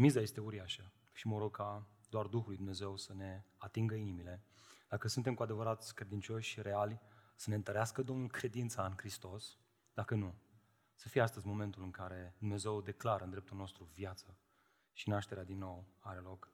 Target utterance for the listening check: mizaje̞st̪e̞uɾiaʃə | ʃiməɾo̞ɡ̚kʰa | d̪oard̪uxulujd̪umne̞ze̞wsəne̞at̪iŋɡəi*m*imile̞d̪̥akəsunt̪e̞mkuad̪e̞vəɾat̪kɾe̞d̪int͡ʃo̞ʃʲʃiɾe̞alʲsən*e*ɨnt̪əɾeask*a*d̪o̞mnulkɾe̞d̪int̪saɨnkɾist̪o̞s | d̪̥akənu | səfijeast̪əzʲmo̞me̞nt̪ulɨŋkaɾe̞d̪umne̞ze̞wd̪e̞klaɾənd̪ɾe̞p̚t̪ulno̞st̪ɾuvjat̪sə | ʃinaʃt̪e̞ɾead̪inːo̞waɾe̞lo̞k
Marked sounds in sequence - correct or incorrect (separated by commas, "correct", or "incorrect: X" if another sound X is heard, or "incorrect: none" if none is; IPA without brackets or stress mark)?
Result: incorrect: n, correct, incorrect: ə